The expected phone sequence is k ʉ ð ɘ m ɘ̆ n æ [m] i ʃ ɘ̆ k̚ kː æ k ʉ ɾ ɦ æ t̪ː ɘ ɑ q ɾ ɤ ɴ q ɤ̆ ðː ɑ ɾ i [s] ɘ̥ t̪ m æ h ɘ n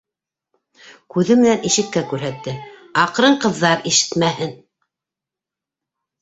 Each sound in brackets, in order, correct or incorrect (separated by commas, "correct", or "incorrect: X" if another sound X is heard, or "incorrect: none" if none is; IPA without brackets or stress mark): incorrect: n, incorrect: ʃ